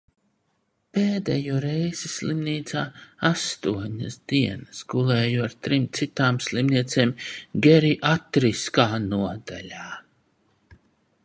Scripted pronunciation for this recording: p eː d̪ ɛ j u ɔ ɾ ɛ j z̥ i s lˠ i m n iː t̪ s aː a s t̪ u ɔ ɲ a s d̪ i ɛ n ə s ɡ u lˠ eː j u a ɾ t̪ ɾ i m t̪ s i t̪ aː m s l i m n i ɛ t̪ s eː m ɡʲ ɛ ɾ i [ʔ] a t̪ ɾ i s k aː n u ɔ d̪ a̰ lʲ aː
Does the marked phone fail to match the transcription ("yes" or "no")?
no